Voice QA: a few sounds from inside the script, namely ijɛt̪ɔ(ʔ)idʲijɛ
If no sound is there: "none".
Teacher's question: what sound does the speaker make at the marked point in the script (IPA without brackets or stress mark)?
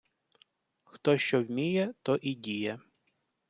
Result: ʔ